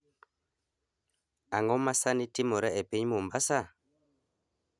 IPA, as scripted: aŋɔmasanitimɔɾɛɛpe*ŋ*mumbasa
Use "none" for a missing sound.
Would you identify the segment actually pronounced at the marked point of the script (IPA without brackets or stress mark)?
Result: ɲ